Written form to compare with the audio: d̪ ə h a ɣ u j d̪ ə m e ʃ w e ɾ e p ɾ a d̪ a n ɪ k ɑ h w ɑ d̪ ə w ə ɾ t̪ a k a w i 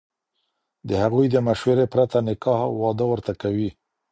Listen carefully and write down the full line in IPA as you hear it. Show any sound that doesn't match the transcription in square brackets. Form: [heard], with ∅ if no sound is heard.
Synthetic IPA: d̪ ə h a ɣ u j d̪ ə m [a] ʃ w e ɾ e p ɾ a [t̪] a n ɪ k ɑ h w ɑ d̪ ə w ə ɾ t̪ a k a w i